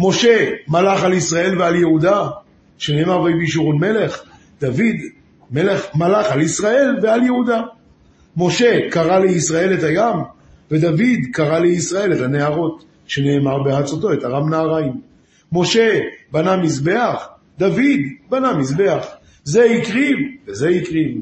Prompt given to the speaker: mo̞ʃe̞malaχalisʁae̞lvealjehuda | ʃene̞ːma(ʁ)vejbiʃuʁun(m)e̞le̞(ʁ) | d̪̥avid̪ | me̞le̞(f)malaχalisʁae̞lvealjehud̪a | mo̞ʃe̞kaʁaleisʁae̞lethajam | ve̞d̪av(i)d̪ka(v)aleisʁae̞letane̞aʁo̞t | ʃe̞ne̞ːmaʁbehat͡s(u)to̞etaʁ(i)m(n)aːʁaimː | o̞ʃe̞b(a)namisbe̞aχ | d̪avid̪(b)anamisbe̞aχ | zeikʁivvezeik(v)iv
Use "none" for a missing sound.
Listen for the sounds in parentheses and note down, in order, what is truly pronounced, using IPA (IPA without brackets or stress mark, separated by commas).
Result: ʁ, m, χ, χ, i, ʁ, o, a, n, a, b, ʁ